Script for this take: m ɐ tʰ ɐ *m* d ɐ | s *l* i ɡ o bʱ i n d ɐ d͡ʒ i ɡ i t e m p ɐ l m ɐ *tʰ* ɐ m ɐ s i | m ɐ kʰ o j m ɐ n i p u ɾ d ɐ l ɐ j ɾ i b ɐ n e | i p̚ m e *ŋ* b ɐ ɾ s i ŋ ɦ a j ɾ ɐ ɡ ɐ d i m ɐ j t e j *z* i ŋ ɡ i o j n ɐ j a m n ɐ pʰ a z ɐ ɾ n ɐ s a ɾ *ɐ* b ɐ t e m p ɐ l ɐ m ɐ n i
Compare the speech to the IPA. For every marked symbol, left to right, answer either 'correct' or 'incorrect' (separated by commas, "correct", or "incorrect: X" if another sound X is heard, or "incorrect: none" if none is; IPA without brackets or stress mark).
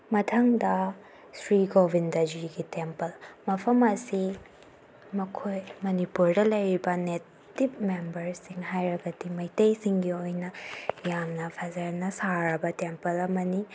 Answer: incorrect: ŋ, incorrect: ɾ, incorrect: pʰ, incorrect: m, incorrect: s, correct